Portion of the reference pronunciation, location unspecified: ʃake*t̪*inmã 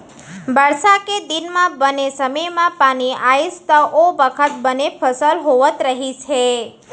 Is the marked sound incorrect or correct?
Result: incorrect